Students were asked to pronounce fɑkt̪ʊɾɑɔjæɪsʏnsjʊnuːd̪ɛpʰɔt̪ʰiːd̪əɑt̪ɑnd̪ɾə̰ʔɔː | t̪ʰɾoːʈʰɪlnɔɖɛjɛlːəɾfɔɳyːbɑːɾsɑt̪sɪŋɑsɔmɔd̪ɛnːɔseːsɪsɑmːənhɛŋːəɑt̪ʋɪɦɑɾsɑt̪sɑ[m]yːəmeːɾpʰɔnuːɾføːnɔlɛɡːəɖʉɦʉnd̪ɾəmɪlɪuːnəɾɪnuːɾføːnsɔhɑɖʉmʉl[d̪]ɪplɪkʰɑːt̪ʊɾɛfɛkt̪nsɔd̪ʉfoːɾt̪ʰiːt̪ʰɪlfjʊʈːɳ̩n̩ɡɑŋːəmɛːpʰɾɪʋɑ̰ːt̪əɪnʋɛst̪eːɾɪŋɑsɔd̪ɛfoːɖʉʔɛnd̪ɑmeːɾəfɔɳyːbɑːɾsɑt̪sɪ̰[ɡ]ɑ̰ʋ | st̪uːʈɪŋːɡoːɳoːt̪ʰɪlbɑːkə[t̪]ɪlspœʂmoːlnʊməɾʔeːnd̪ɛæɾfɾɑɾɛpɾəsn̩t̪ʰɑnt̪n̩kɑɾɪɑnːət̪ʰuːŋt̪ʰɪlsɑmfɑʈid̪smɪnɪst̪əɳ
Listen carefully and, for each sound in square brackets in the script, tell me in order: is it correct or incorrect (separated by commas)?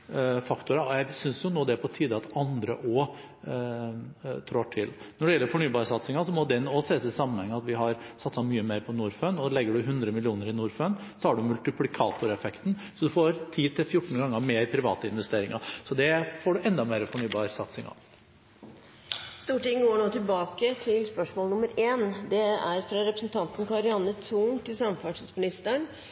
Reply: correct, incorrect, incorrect, incorrect